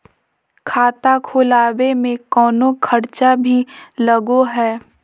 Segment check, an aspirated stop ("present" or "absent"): present